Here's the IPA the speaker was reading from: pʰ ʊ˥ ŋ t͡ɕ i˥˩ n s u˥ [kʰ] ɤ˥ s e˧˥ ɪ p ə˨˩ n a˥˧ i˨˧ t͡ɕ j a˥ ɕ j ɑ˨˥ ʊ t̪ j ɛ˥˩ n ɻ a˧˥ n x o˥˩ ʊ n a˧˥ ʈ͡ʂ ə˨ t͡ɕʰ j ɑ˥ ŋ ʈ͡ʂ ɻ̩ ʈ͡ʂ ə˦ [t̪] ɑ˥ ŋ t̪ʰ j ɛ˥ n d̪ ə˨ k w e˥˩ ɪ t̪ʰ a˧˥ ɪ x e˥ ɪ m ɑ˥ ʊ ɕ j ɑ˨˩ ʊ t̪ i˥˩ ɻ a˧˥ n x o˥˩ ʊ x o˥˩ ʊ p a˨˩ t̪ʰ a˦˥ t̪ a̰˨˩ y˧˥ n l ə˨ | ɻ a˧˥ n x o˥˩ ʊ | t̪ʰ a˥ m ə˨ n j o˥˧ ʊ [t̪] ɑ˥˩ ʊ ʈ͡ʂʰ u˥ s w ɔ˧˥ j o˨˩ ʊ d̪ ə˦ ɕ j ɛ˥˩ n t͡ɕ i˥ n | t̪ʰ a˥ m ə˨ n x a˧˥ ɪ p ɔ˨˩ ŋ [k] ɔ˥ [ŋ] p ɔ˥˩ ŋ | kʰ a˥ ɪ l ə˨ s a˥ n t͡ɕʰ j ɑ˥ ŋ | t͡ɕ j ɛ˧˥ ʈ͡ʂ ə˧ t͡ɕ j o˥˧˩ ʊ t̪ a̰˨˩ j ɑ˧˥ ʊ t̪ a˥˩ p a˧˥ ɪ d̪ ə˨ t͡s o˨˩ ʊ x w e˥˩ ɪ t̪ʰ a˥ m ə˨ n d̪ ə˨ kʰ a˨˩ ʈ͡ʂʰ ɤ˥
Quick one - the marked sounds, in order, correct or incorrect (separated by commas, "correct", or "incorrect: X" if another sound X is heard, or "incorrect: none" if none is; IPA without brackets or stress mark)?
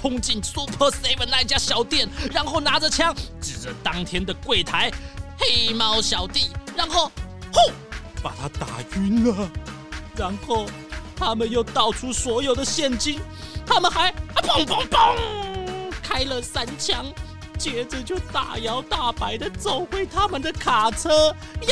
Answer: incorrect: pʰ, correct, correct, incorrect: p, correct